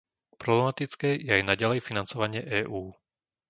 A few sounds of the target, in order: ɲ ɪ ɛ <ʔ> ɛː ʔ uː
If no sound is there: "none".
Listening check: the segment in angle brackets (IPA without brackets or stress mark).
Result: ʔ